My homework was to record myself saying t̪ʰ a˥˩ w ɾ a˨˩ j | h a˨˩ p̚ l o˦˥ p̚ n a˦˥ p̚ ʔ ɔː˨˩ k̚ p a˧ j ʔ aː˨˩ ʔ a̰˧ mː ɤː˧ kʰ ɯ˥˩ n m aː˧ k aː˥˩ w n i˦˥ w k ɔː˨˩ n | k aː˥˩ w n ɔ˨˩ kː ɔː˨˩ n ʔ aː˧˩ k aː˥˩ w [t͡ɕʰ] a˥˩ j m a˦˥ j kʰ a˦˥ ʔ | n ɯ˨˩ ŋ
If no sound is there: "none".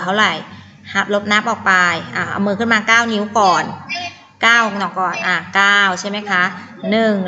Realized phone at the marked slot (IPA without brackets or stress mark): t͡ɕʰ